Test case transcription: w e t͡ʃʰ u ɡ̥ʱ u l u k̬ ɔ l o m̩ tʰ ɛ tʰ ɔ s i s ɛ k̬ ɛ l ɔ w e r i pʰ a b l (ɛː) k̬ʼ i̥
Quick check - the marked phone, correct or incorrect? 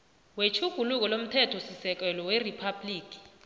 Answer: incorrect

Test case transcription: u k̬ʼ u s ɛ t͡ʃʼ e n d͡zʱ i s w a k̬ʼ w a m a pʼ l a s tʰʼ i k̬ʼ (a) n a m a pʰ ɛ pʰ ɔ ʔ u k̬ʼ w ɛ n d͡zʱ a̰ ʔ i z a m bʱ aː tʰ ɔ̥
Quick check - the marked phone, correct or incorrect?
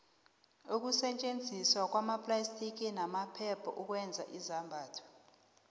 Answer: incorrect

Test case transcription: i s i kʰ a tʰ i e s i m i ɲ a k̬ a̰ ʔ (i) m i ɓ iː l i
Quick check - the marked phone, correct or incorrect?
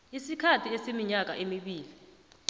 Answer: incorrect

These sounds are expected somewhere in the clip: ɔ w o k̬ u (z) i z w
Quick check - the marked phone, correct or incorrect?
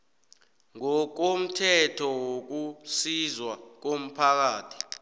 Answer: incorrect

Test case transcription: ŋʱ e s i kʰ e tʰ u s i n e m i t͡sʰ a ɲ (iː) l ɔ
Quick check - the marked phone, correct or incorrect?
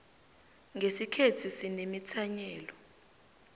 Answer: incorrect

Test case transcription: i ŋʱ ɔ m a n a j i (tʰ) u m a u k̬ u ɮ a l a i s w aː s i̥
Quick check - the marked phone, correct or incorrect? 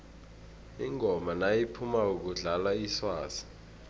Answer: incorrect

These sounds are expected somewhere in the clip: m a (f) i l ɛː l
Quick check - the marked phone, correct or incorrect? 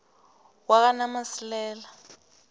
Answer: incorrect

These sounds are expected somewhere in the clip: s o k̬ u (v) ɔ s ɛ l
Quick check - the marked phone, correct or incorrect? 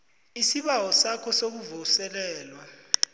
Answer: correct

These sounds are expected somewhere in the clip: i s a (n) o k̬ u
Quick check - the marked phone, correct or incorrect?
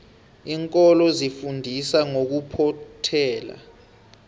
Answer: incorrect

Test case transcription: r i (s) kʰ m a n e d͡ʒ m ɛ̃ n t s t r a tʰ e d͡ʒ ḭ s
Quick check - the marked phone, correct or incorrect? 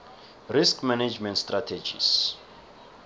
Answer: correct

